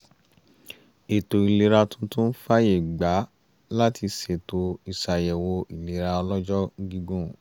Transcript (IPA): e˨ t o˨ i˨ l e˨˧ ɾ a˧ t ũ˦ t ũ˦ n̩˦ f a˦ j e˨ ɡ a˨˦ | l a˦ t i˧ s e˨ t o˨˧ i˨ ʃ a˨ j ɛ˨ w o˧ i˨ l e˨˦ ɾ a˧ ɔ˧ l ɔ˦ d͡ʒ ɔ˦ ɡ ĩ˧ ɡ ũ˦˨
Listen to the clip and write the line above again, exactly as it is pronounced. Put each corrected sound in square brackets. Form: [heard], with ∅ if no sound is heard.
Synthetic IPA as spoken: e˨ t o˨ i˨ l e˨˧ ɾ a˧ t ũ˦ t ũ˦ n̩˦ f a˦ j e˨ [ɡ͡b] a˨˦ | l a˦ t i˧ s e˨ t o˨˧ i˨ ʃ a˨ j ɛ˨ w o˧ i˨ l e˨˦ ɾ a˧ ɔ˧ l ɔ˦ d͡ʒ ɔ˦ ɡ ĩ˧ ɡ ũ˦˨

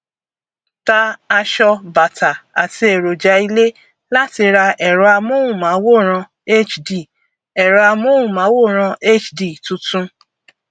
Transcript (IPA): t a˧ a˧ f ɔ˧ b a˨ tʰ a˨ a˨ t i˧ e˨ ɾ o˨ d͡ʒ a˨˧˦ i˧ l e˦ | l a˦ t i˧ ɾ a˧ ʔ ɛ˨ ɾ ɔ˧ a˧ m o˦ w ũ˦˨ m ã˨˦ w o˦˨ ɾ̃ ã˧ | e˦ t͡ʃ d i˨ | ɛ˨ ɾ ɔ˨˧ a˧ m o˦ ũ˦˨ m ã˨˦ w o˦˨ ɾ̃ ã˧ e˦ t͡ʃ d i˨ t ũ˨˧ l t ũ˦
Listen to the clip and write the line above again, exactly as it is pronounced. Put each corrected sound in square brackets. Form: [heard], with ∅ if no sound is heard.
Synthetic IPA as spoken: t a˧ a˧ [ʃ] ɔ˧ b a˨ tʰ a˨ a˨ t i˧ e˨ ɾ o˨ d͡ʒ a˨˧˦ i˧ l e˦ | l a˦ t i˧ ɾ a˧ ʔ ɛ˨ ɾ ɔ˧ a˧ m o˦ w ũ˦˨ m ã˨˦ w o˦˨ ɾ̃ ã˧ | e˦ t͡ʃ d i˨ | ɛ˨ ɾ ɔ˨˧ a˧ m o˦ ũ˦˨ m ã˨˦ w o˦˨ ɾ̃ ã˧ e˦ t͡ʃ d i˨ t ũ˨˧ [∅] t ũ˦

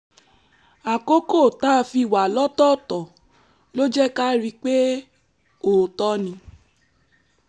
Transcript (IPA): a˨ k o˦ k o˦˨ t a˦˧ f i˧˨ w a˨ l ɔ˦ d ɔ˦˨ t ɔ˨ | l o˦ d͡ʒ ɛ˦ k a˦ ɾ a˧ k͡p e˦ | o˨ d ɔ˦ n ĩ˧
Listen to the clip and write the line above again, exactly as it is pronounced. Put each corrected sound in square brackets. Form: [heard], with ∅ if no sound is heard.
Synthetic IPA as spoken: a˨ k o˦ k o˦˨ t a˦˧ f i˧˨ w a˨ l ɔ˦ [t] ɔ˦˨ t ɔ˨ | l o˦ d͡ʒ ɛ˦ k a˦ ɾ [i˧] k͡p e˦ | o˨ [t] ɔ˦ n ĩ˧

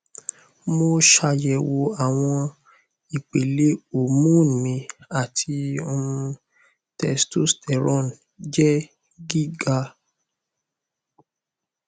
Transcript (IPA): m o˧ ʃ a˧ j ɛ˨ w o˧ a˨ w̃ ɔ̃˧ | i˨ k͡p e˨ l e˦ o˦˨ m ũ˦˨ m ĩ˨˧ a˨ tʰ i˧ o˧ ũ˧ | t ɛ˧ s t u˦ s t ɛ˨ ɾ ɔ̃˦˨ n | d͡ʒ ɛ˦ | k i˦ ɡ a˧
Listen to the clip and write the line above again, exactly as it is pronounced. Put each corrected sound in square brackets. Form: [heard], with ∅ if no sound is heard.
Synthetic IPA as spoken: m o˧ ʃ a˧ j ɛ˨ w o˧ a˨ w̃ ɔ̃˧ | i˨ k͡p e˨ l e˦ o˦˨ m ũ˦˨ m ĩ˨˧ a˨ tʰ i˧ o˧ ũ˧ | t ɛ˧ s t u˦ s t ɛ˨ ɾ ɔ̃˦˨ n | d͡ʒ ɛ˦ | [ɡ] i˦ ɡ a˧

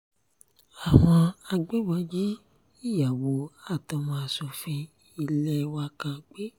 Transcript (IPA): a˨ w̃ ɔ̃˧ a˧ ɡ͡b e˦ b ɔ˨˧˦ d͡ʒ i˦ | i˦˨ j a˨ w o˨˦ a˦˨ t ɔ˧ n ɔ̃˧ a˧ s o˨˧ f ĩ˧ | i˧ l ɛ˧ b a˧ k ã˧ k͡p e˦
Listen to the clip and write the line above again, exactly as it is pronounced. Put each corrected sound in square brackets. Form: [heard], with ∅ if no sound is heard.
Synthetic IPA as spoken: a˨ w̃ ɔ̃˧ a˧ ɡ͡b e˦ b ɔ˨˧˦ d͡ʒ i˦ | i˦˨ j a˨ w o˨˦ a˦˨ t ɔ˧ [m] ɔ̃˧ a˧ s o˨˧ f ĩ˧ | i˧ l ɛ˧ [w] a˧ k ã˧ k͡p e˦

